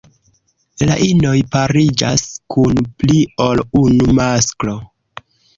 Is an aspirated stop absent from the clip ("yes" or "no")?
yes